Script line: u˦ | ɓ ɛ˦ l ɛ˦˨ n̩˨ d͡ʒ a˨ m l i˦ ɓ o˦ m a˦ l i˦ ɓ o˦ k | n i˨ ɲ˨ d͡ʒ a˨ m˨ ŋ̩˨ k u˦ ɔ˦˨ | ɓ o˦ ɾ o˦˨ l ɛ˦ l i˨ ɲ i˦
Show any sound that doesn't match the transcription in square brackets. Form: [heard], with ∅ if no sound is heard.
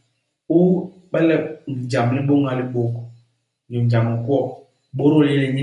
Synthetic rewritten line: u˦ | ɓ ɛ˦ l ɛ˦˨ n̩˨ d͡ʒ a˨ m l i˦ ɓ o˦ [ŋ] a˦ l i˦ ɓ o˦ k | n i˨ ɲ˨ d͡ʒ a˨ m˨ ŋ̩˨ k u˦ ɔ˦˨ | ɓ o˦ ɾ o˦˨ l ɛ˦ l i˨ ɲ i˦